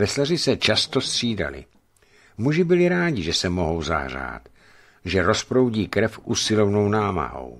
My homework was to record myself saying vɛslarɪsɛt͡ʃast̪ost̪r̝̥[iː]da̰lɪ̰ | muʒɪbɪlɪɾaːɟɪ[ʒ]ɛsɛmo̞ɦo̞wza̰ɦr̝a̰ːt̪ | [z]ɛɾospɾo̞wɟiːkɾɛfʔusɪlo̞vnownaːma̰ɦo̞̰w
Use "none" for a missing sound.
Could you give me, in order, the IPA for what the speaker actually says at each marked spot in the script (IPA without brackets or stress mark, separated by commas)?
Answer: iː, ʒ, ʒ